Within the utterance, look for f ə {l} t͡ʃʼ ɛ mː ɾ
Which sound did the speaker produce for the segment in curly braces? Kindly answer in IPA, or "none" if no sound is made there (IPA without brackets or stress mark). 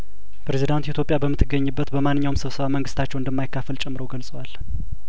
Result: l